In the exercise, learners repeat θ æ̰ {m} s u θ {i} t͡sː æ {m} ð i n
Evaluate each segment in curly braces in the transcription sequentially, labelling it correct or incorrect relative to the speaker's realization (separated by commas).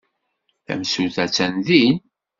correct, incorrect, incorrect